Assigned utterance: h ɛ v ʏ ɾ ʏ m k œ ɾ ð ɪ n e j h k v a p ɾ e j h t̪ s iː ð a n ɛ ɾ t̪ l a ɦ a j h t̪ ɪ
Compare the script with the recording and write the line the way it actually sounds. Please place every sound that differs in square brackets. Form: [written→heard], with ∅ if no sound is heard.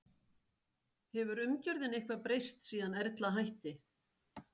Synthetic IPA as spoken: h ɛ v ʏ ɾ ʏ m [k→c] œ ɾ ð ɪ n e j h k v a p ɾ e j [h→s] t̪ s iː ð a n ɛ ɾ t̪ l a ɦ a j h t̪ ɪ